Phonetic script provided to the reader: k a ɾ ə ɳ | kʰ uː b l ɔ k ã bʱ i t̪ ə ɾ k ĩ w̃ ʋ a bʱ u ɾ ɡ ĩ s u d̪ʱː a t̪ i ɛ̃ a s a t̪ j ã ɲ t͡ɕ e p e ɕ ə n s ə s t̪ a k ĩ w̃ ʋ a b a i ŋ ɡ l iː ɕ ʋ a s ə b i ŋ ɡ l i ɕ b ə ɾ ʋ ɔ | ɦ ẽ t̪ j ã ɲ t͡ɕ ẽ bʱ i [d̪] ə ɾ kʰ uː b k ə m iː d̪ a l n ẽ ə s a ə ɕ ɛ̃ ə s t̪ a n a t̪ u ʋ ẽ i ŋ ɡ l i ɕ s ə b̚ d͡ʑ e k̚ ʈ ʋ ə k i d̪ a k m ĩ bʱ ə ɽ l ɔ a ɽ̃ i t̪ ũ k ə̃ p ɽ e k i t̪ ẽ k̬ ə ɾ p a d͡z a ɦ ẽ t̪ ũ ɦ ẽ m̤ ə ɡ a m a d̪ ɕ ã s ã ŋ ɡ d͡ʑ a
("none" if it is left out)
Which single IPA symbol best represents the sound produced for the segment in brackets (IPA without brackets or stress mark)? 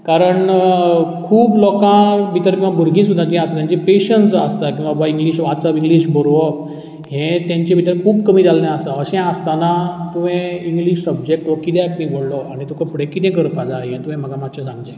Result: t̪